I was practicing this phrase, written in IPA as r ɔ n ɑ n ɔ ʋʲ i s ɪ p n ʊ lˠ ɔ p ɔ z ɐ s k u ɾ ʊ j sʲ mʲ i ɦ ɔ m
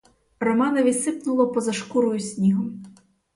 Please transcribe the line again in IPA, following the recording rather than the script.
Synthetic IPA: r ɔ m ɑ n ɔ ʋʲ i s ɪ p n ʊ lˠ ɔ p ɔ z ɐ ʃ k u ɾ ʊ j sʲ nʲ i ɦ ɔ m

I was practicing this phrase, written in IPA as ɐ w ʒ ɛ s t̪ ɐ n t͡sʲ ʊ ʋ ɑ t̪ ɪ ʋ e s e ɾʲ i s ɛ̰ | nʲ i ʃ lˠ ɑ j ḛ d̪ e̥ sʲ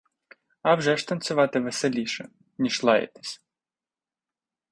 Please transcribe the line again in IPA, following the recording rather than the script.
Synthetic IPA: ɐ w ʒ ɛ ʃ t̪ ɐ n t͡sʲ ʊ ʋ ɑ t̪ ɪ ʋ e s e lʲ i ʃ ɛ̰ | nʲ i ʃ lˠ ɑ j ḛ t̪ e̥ sʲ

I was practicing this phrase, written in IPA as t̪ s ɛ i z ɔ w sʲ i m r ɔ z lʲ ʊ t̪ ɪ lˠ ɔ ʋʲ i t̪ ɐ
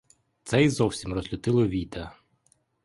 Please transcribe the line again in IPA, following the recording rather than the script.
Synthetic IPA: t̪ s ɛ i z ɔ w sʲ i m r ɔ z lʲ ʊ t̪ ɪ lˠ ɔ ʋʲ i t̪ ɐ

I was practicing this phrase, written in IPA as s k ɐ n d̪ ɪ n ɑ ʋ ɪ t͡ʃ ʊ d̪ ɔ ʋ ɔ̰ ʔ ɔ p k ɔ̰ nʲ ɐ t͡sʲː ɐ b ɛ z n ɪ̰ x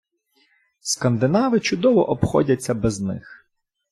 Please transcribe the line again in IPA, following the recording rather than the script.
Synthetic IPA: s k ɐ n d̪ ɪ n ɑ ʋ ɪ t͡ʃ ʊ d̪ ɔ ʋ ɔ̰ ʔ ɔ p x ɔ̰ dʲ ɐ t͡sʲː ɐ b ɛ z n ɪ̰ x

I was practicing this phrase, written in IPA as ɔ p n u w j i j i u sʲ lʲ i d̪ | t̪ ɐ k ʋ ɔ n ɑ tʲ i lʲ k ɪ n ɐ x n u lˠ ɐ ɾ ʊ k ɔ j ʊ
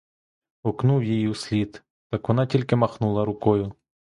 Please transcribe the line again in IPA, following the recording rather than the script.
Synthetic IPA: ɔ k n u w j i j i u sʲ lʲ i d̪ | t̪ ɑ k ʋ ɔ n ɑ tʲ i lʲ k ɪ m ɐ x n u lˠ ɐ ɾ ʊ k ɔ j ʊ

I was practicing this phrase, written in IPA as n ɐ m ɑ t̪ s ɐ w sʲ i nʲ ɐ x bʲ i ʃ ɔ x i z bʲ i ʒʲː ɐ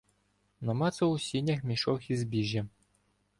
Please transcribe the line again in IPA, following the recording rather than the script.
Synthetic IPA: n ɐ m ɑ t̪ s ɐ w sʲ i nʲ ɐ x mʲ i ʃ ɔ x i z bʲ i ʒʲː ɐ

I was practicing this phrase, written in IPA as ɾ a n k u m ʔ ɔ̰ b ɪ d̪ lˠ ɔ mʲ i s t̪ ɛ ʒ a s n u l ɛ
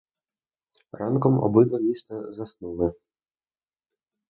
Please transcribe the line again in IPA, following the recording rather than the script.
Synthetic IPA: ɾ a n k ɔ m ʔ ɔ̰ b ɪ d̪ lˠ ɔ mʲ i s t̪ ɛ z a s n u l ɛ

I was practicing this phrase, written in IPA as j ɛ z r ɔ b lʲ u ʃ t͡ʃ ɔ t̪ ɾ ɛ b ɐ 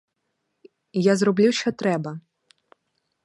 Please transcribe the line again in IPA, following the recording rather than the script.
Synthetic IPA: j a z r ɔ b lʲ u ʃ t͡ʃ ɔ t̪ ɾ ɛ b ɐ

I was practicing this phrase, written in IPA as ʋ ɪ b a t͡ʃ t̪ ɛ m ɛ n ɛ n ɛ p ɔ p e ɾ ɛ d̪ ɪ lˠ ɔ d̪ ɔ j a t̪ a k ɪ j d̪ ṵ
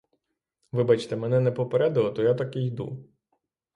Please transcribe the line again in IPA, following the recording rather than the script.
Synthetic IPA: ʋ ɪ b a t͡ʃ t̪ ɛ m ɛ n ɛ n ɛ p ɔ p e ɾ ɛ d̪ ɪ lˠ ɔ t̪ ɔ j a t̪ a k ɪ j d̪ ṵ

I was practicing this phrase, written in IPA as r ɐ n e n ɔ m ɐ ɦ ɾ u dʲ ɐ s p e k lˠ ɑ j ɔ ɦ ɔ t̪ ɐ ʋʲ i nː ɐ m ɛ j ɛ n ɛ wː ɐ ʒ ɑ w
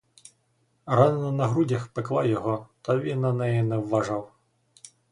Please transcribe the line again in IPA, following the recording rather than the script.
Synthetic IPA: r ɑ n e n ɔ n ɐ ɦ ɾ u dʲ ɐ x p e k lˠ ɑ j ɔ ɦ ɔ t̪ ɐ ʋʲ i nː ɐ n ɛ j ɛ n ɛ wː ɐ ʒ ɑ w

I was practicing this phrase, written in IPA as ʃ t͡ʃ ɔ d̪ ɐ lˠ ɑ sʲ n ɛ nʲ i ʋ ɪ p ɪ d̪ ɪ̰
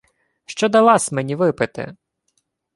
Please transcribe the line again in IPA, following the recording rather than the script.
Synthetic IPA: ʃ t͡ʃ ɔ d̪ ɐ lˠ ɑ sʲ m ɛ nʲ i ʋ ɪ p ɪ t̪ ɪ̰

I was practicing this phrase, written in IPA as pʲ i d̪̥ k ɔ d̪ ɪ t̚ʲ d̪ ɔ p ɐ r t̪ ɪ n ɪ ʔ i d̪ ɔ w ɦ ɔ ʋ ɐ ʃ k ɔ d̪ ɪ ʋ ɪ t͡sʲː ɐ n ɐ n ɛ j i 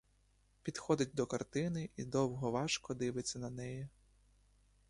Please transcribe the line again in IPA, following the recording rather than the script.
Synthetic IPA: pʲ i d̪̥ x ɔ d̪ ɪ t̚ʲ d̪ ɔ k ɐ r t̪ ɪ n ɪ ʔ i d̪ ɔ w ɦ ɔ ʋ ɑ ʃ k ɔ d̪ ɪ ʋ ɪ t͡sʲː ɐ n ɐ n ɛ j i

